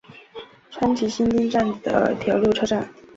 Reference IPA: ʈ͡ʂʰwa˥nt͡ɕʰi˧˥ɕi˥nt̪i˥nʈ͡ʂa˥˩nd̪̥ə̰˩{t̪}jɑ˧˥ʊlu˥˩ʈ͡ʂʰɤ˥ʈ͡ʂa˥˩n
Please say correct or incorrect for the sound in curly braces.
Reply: incorrect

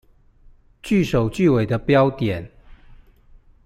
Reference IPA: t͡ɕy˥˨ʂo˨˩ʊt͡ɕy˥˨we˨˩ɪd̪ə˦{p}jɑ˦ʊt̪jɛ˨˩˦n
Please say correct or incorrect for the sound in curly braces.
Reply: correct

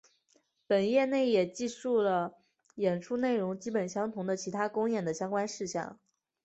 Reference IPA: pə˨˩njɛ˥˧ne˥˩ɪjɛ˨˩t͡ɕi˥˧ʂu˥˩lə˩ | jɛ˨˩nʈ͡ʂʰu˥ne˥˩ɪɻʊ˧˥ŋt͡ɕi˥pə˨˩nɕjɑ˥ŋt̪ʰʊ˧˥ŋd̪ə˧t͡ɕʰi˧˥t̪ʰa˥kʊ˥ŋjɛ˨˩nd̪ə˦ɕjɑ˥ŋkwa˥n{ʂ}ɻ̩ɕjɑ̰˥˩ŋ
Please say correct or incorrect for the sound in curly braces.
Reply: correct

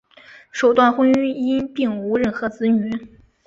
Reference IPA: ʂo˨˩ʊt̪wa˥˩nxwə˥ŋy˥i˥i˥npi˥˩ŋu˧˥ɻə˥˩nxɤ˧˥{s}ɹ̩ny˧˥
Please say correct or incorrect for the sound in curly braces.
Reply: incorrect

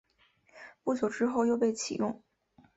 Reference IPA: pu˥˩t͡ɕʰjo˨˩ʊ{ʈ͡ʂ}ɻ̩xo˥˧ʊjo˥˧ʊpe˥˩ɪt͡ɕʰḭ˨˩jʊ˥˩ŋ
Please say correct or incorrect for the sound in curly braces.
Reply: correct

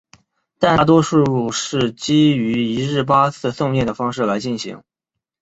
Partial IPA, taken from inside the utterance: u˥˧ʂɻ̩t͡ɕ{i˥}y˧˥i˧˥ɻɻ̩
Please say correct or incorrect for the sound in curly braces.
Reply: correct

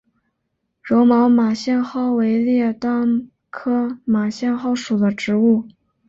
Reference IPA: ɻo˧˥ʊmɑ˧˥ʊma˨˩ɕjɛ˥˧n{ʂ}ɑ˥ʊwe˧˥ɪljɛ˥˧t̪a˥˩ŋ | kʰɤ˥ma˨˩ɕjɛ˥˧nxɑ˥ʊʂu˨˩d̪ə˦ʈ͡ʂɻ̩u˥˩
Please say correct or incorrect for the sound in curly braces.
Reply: incorrect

